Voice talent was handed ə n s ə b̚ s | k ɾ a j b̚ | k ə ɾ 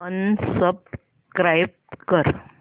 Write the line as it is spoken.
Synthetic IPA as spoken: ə n s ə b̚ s | k ɾ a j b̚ | k ə ɾ